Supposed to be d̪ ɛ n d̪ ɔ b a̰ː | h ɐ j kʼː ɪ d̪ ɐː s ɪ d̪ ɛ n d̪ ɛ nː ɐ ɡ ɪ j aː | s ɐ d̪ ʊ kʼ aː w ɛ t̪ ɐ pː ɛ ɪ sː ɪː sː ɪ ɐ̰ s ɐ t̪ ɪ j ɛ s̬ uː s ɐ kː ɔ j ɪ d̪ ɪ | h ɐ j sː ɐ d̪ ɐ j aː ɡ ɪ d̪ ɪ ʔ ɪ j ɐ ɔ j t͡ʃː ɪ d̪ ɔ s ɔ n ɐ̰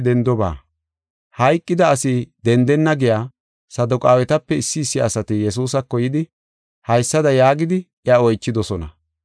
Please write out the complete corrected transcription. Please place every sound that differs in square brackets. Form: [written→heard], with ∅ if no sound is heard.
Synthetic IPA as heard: d̪ ɛ n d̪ ɔ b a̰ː | h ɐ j kʼː ɪ d̪ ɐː s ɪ d̪ ɛ n d̪ ɛ nː ɐ ɡ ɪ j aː | s ɐ d̪ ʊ kʼ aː w ɛ t̪ ɐ pː ɛ ɪ sː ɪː sː ɪ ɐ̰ s ɐ t̪ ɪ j ɛ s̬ uː s ɐ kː ɔ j ɪ d̪ ɪ | h ɐ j sː ɐ d̪ ɐ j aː ɡ ɪ d̪ ɪ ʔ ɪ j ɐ ɔ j t͡ʃː ɪ d̪ ɔ s ɔ n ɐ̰